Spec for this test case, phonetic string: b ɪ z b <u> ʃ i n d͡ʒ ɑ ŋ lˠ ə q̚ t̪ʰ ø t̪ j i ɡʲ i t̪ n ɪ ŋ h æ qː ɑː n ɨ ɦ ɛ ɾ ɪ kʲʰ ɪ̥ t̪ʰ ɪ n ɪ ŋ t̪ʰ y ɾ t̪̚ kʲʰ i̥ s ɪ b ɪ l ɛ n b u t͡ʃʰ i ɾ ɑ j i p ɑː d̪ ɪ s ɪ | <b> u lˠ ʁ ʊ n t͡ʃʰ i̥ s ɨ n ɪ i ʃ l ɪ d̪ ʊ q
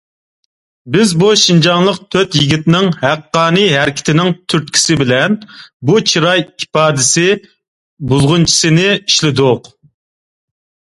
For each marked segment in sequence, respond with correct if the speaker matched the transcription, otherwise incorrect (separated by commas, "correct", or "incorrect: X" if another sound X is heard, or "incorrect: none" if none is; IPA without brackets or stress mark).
correct, correct